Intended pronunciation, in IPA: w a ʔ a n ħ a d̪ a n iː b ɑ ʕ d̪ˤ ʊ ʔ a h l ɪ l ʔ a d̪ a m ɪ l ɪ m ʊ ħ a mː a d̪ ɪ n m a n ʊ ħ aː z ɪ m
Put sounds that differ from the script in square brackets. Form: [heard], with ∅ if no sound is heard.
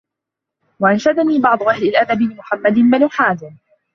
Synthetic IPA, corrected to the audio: w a ʔ a n [ʃ] a d̪ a n iː b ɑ ʕ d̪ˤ ʊ ʔ a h l ɪ l ʔ a d̪ a [b] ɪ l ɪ m ʊ ħ a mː a d̪ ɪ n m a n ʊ ħ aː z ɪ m